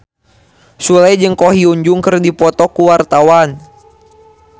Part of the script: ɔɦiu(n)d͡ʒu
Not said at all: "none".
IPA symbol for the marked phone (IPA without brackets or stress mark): ɲ